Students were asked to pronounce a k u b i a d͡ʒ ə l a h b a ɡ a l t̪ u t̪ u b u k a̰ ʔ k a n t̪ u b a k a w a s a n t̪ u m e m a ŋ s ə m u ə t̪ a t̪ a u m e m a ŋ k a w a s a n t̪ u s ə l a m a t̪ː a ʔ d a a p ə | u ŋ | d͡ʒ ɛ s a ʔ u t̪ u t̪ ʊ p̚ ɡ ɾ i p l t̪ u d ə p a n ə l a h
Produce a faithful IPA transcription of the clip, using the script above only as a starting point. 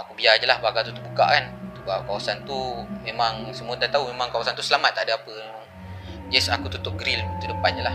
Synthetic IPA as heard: a k u b i a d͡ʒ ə l a h b a ɡ a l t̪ u t̪ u b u k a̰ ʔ k a n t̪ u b a k a w a s a n t̪ u m e m a ŋ s ə m u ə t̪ a t̪ a u m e m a ŋ k a w a s a n t̪ u s ə l a m a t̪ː a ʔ d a a p ə | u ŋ | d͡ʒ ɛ s a k u t̪ u t̪ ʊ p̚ ɡ ɾ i l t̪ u d ə p a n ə l a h